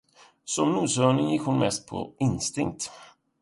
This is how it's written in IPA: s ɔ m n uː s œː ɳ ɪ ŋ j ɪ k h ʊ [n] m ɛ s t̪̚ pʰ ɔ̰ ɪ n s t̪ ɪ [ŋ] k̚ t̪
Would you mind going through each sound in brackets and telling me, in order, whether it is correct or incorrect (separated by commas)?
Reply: correct, correct